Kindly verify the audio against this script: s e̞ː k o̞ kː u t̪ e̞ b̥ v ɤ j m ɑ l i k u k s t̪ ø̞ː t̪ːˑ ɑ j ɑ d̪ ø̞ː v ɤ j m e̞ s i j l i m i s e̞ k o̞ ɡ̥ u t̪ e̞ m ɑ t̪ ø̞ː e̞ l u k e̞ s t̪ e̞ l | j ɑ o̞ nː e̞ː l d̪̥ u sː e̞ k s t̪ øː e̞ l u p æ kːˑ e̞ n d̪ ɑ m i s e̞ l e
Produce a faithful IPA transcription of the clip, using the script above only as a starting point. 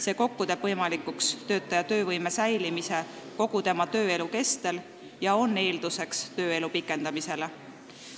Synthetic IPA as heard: s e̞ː k o̞ kː u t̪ e̞ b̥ v ɤ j m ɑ l i k u k s t̪ ø̞ː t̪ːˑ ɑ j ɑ t̪ ø̞ː v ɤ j m e̞ s æ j l i m i s e̞ k o̞ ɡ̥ u t̪ e̞ m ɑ t̪ ø̞ː e̞ l u k e̞ s t̪ e̞ l | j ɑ o̞ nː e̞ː l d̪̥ u s e̞ k s t̪ øː e̞ l u p i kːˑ e̞ n d̪ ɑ m i s e̞ l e